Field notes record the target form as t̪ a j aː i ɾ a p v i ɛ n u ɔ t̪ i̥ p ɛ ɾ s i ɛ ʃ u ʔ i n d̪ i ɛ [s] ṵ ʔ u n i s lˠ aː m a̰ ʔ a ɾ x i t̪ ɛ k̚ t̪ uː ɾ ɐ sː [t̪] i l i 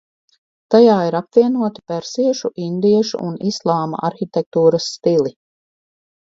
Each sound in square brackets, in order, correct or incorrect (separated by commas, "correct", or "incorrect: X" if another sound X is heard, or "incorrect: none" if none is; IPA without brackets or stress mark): incorrect: ʃ, correct